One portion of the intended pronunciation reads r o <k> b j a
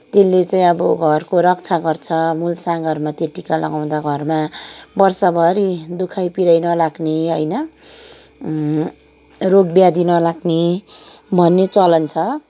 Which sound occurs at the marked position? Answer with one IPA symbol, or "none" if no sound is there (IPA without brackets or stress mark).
ɡ